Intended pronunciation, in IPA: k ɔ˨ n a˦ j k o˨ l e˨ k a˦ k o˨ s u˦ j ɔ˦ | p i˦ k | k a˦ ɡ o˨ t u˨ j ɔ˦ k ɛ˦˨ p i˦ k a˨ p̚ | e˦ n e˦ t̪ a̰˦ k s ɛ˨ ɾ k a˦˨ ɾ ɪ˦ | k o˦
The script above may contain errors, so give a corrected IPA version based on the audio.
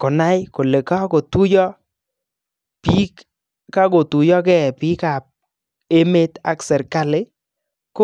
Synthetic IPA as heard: k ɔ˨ n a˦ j k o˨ l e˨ k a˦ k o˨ t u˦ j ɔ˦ | p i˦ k | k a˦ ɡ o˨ t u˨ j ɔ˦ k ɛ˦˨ p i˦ k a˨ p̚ | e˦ m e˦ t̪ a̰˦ k s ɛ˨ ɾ k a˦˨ l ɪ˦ | k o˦

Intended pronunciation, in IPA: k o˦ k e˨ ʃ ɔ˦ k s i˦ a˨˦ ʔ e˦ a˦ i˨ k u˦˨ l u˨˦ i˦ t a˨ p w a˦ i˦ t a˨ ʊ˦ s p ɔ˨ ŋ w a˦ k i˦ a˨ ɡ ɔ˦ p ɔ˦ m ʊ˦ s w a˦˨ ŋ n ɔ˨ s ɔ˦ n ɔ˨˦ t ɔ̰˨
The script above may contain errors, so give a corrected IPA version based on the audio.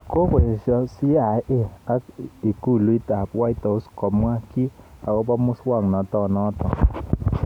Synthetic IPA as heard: k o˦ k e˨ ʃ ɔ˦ s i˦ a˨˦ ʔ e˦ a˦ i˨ k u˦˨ l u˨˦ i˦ t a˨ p w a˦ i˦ t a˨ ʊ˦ s k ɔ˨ m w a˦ k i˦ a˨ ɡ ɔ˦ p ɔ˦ m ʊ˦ s w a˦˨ ŋ n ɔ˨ t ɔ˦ n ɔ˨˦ t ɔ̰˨

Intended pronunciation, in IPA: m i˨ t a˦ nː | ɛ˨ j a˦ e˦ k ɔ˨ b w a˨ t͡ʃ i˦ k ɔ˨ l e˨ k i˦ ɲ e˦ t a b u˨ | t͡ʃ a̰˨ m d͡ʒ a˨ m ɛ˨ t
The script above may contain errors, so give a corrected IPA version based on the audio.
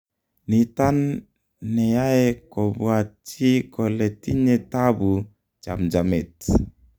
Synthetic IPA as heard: n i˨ t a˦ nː | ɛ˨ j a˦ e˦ k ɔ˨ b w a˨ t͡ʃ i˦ k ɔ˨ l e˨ t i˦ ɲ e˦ t a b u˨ | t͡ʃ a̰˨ m d͡ʒ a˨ m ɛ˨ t

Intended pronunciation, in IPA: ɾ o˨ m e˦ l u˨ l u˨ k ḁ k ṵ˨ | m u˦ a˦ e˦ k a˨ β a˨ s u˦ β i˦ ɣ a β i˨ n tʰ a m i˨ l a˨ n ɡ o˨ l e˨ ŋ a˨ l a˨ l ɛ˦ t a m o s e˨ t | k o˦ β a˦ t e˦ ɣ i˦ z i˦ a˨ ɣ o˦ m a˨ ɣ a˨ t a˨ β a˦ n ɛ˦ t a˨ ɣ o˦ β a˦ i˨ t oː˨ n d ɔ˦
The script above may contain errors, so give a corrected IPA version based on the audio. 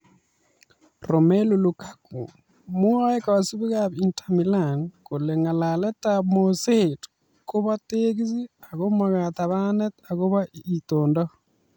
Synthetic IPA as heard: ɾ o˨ m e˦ l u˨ l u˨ k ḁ k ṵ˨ | m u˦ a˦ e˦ k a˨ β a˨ s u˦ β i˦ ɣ a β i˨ n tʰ a m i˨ l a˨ n k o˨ l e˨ ŋ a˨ l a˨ l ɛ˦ t a m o s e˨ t | k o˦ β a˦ t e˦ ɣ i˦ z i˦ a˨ ɣ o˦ m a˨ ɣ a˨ t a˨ β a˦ n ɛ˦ t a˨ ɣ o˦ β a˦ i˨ t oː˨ n d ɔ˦

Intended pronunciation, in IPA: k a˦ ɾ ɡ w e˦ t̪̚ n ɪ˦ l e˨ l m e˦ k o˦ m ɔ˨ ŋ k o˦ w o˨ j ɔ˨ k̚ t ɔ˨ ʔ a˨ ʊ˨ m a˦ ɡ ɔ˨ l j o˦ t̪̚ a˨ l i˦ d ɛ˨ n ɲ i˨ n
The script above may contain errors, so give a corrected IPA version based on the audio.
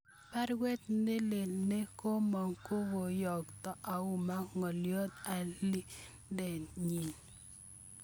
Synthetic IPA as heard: p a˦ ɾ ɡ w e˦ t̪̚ n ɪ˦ l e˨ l n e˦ k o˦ m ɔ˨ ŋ k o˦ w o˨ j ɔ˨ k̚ t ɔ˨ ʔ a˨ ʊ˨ m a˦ ŋ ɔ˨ l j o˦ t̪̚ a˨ l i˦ d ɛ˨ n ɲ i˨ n

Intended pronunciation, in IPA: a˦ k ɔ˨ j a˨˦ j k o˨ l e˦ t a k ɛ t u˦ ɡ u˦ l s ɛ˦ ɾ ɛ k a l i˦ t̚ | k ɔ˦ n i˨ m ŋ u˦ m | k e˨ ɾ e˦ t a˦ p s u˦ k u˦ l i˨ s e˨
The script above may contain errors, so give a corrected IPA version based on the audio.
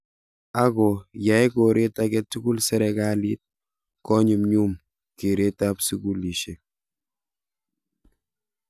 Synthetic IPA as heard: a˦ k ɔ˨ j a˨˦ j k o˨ ɾ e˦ t a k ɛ t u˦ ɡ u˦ l s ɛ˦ ɾ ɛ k a l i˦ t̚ | k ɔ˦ ɲ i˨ m ɲ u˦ m | k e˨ ɾ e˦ t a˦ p s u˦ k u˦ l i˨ ʃ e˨

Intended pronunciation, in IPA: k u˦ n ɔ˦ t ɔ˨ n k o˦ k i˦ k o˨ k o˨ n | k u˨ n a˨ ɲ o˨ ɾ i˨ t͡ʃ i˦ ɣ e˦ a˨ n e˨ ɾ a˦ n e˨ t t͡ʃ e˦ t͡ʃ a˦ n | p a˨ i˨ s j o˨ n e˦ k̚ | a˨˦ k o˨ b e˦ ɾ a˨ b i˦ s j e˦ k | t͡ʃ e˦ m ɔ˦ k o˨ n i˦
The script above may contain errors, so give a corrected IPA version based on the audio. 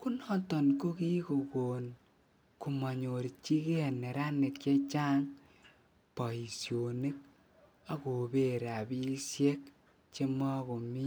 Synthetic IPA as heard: k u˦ n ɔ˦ t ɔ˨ n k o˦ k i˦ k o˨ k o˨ n | k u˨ m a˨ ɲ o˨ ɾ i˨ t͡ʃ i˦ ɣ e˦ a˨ n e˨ ɾ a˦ n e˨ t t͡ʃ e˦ t͡ʃ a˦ ŋ | p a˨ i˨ s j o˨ n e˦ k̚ | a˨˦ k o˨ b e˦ ɾ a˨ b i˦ s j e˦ k | t͡ʃ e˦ m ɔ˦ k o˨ m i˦

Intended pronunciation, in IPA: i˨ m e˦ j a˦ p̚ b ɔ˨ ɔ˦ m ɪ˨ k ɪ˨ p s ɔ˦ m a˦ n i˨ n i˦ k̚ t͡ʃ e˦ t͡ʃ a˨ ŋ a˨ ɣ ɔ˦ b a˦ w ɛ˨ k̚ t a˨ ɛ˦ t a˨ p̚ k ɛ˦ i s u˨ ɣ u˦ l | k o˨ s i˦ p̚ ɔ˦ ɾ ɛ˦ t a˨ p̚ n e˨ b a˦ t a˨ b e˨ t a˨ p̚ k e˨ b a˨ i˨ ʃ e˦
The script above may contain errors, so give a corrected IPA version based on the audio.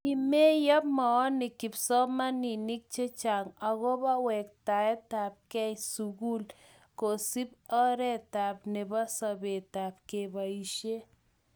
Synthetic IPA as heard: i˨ m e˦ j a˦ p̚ m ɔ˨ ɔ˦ n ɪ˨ k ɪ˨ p s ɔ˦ m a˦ n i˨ n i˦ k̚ t͡ʃ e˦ t͡ʃ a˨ ŋ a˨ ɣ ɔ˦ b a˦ w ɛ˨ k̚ t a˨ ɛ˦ t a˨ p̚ k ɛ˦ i s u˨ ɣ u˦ l | k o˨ s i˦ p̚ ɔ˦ ɾ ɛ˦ t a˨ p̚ n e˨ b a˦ s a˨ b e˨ t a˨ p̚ k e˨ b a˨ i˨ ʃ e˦

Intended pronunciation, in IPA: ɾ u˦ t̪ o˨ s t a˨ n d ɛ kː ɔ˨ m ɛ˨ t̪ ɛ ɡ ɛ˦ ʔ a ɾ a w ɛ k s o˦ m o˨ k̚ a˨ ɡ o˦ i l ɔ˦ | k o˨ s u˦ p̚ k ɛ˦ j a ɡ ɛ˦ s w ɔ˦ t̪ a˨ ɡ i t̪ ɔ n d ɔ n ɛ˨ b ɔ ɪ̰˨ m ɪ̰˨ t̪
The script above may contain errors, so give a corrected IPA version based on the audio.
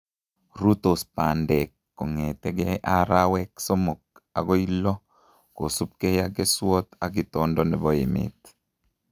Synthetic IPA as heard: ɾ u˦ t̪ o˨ s p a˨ n d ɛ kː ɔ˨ ŋ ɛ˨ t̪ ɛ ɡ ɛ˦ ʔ a ɾ a w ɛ k s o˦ m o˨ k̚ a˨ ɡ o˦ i l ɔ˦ | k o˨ s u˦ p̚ k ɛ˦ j a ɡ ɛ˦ s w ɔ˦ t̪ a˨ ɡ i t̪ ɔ n d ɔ n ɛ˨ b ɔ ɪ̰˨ m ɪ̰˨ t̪

